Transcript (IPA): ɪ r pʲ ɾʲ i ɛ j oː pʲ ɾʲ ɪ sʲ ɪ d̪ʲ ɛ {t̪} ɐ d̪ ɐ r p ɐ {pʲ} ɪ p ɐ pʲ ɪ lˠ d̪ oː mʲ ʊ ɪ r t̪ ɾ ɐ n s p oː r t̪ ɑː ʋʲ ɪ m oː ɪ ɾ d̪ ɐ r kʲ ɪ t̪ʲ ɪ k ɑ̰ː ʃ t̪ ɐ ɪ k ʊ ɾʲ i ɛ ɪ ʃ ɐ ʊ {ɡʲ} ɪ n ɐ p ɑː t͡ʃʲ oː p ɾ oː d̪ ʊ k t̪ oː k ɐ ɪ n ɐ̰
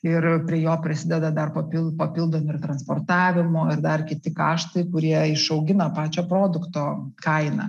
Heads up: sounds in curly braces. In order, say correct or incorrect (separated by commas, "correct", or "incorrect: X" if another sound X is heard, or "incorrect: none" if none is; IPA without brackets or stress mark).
incorrect: d̪, correct, correct